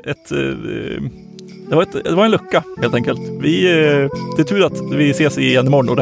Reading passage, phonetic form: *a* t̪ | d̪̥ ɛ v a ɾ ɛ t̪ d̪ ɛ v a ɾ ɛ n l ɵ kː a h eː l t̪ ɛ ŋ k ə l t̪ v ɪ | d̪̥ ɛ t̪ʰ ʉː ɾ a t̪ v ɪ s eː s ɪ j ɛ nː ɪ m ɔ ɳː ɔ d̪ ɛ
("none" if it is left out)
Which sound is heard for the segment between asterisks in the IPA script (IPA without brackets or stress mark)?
ɛ